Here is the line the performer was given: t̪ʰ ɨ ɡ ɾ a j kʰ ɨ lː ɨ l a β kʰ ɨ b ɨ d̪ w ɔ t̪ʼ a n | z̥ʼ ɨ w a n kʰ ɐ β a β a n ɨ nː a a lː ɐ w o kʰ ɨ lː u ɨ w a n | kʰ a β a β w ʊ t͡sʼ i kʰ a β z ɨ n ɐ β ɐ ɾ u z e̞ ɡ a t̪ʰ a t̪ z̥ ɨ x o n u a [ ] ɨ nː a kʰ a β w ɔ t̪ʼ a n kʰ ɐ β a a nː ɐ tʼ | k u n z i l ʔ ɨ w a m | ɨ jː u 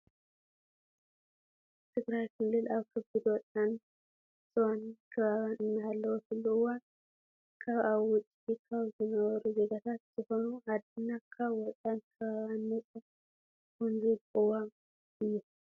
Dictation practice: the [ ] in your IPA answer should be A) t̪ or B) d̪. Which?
B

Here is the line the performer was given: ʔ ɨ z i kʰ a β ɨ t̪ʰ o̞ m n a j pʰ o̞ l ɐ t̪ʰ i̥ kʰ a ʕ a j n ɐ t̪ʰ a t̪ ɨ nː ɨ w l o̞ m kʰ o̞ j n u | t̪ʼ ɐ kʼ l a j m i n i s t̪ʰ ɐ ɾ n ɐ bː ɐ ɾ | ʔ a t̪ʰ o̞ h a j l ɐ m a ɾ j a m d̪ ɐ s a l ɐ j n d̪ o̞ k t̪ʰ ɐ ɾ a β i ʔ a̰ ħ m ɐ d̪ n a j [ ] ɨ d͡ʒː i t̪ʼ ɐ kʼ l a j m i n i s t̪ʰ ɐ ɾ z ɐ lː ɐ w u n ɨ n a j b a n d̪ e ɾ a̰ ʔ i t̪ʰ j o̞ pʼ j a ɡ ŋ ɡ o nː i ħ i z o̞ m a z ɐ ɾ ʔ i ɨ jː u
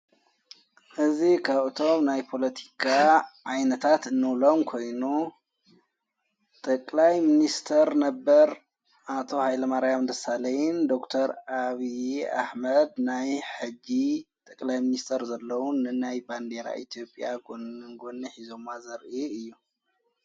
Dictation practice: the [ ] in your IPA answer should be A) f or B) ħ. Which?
B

